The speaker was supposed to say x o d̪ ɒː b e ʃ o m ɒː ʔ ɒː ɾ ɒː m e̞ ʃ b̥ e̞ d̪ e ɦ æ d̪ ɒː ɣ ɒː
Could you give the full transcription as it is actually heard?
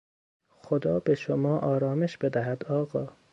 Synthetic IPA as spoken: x o d̪ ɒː b e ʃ o m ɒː ʔ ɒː ɾ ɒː m e̞ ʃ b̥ e̞ d̪ æ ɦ æ d̪ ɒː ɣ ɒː

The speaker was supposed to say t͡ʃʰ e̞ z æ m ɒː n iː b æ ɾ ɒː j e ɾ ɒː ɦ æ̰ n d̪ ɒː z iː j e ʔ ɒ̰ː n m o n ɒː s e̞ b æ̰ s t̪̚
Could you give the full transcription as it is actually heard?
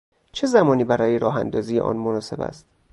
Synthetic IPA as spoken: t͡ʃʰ e̞ z æ m ɒː n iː b æ ɾ ɒː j e ɾ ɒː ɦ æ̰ n d̪ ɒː z iː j e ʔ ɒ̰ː n m o n ɒː s e̞ b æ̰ s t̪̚

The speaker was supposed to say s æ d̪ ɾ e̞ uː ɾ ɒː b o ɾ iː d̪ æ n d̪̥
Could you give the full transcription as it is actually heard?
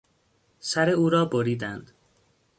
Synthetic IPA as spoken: s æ ɾ e̞ uː ɾ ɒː b o ɾ iː d̪ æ n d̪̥

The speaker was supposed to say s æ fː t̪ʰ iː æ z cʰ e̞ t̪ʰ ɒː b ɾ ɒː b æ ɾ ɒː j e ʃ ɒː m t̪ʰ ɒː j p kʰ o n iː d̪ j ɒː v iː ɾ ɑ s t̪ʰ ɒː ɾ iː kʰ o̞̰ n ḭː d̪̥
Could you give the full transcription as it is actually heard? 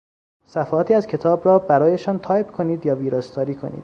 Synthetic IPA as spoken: s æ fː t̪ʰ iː æ z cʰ e̞ t̪ʰ ɒː b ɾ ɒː b æ ɾ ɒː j e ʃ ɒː n t̪ʰ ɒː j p kʰ o n iː d̪ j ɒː v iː ɾ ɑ s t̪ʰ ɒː ɾ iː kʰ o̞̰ n ḭː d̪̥

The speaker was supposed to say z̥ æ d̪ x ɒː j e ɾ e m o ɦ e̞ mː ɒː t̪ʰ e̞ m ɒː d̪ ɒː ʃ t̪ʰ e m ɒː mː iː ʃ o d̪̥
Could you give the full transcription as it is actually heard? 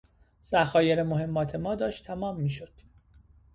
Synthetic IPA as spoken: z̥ æ x ɒː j e ɾ e m o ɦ e̞ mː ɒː t̪ʰ e̞ m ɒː d̪ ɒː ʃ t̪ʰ æ m ɒː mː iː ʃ o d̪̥

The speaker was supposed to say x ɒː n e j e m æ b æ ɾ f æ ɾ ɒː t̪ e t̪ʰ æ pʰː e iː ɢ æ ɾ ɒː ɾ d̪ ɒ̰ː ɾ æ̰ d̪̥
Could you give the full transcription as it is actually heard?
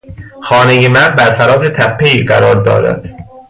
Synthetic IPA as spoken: x ɒː n e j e m æ b æ ɾ f æ ɾ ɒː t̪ e t̪ʰ æ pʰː e iː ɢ æ ɾ ɒː ɾ d̪ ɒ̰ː ɾ æ̰ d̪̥

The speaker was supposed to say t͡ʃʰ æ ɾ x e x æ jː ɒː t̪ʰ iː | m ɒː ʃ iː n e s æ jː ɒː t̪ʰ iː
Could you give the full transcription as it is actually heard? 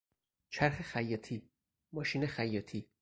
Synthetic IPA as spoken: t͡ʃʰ æ ɾ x e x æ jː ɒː t̪ʰ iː | m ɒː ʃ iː n e x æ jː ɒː t̪ʰ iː

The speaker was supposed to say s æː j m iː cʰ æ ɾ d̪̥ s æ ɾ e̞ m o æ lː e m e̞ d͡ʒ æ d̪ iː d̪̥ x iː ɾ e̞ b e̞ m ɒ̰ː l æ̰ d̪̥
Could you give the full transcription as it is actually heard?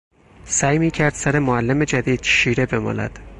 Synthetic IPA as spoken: s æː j m iː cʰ æ ɾ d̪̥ s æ ɾ e̞ m o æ lː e m e̞ d͡ʒ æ d̪ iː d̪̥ ʃ iː ɾ e̞ b e̞ m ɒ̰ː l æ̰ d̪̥

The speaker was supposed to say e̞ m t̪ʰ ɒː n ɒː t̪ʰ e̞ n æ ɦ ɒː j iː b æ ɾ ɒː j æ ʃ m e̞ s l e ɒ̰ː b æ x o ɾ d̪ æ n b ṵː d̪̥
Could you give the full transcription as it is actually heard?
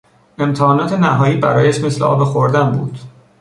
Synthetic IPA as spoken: e̞ m t̪ʰ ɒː n ɒː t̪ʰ e̞ n æ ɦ ɒː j iː b æ ɾ ɒː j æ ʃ m e̞ s l e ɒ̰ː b e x o ɾ d̪ æ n b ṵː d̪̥

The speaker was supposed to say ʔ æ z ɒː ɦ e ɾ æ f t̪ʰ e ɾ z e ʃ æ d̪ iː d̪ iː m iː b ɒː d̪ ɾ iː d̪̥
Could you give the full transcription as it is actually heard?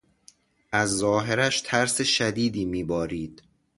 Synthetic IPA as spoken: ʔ æ zː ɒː ɦ e ɾ æ ʃ t̪ʰ æ ɾ s e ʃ æ d̪ iː d̪ iː m iː b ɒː ɾ iː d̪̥

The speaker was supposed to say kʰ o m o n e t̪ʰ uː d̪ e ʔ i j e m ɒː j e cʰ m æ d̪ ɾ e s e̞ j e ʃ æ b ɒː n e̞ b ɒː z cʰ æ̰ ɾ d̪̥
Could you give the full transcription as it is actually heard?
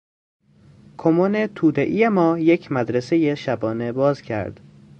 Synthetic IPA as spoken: kʰ o m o n e t̪ʰ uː d̪ e ʔ i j e m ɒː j e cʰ m æ d̪ ɾ e s e̞ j e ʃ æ b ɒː n e̞ b ɒː z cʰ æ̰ ɾ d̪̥

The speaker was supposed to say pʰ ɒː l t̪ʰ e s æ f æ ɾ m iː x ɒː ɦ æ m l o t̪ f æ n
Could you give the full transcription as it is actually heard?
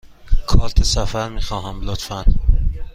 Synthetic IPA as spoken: kʰ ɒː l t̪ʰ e s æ f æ ɾ m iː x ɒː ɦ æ m l o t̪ f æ n

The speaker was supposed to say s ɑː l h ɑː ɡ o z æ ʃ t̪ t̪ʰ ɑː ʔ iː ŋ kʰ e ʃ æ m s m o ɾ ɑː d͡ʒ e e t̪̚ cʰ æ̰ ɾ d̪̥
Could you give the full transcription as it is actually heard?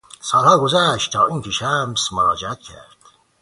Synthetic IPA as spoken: s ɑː l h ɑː ɡ o z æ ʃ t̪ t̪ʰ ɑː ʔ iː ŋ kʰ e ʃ æ m s m o ɾ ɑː d͡ʒ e æ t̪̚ cʰ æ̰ ɾ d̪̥

